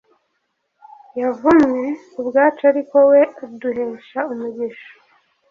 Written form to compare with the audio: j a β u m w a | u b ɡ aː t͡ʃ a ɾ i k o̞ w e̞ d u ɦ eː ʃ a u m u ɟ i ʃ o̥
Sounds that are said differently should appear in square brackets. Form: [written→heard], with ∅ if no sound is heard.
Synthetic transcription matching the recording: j a [β→v] u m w [a→e] | u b ɡ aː t͡ʃ a ɾ i k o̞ w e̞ d u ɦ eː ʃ a u m u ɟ i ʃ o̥